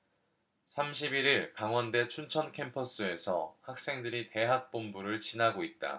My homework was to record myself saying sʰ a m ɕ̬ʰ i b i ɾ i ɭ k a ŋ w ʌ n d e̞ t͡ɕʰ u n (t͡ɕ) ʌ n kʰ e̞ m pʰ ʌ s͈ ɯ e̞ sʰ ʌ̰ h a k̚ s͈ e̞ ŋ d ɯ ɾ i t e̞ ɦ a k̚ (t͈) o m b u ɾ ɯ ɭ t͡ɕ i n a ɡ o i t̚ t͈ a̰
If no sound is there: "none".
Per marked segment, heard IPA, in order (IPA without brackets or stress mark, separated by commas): t͡ɕʰ, p͈